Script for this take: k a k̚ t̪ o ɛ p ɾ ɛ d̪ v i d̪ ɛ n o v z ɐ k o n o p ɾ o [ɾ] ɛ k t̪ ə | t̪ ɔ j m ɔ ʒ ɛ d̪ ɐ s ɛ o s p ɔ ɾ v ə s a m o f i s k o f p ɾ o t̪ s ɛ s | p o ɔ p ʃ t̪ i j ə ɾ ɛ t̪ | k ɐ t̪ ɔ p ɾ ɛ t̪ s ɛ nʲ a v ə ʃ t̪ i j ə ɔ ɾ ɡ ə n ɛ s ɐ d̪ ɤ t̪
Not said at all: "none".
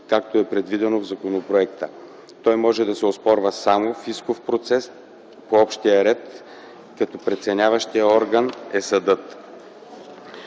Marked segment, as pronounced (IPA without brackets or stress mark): none